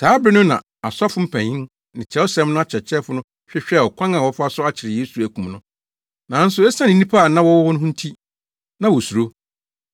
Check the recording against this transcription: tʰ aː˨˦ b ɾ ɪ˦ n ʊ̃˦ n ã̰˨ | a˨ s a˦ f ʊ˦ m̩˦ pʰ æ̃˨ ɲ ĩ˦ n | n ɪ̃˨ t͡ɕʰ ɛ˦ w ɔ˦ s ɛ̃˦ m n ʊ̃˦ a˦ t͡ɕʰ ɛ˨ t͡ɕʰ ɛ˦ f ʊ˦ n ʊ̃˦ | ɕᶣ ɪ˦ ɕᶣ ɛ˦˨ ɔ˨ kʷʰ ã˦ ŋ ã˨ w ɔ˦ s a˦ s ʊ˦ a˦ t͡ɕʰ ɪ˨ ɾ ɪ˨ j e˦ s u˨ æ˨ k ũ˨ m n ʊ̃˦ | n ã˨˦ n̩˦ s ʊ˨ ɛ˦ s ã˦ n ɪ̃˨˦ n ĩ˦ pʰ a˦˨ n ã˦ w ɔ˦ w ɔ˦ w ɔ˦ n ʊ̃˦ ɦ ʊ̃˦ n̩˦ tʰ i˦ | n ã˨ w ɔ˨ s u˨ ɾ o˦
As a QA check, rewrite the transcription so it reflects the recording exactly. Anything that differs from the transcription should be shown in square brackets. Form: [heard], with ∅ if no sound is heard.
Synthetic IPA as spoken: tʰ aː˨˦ b ɾ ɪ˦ n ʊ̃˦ n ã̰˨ | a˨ s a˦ f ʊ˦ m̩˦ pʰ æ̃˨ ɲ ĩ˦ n | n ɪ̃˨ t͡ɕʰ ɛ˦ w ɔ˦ s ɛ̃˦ m n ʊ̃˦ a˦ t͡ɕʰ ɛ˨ t͡ɕʰ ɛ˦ f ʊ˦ n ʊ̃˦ | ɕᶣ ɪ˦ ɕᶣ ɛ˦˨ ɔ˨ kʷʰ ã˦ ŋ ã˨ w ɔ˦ [f] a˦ s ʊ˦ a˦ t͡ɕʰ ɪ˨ ɾ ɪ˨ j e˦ s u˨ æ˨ k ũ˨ m n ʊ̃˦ | n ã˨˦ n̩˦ s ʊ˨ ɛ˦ s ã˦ n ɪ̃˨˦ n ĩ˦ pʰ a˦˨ n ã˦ w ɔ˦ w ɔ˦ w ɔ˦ n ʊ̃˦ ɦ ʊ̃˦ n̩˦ tʰ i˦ | n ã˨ w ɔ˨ s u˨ ɾ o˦

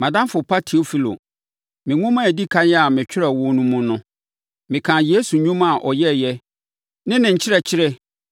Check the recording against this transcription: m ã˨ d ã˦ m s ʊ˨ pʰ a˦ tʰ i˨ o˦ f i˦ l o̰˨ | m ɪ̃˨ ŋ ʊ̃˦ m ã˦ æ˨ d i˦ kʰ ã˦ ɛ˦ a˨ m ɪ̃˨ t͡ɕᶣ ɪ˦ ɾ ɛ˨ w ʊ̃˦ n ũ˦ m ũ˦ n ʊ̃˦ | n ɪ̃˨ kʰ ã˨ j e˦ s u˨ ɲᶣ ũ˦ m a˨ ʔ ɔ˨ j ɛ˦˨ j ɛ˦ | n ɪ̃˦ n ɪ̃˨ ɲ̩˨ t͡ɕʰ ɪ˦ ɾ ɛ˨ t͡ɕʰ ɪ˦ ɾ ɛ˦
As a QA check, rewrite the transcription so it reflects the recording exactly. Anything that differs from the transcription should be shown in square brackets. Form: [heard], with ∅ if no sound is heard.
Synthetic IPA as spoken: m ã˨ d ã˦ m [f] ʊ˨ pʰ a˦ tʰ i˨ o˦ f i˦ l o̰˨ | m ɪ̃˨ ŋ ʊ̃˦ m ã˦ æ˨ d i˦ kʰ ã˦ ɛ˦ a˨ m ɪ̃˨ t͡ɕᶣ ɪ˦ ɾ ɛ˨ w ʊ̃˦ n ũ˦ m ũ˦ n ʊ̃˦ | [m] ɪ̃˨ kʰ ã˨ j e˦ s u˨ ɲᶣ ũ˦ m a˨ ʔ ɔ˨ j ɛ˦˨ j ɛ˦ | n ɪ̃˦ n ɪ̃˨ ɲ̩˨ t͡ɕʰ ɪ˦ ɾ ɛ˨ t͡ɕʰ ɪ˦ ɾ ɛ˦

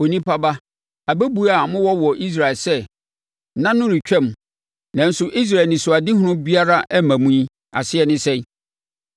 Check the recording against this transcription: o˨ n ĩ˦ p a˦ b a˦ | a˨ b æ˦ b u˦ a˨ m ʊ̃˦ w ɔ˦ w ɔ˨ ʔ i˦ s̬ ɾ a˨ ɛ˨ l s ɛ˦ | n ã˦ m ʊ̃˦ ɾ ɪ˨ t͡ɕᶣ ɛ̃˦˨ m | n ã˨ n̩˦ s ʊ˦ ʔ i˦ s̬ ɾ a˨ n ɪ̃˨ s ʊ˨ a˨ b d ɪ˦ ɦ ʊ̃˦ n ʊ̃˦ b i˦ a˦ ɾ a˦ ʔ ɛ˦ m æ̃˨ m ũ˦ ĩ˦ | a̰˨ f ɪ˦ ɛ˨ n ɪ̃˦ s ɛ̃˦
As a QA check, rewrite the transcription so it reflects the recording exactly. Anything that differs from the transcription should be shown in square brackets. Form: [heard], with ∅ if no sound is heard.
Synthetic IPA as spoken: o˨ n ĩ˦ p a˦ b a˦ | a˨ b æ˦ b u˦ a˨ m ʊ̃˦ w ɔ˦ w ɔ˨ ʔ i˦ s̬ ɾ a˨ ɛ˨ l s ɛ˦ | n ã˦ [n] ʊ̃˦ ɾ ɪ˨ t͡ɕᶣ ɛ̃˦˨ m | n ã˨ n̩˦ s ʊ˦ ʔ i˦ s̬ ɾ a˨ n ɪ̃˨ s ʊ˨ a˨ [∅] d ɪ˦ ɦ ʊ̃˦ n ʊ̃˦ b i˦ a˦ ɾ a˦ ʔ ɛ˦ m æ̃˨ m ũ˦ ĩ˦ | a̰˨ [s] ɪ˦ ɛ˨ n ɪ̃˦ s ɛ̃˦

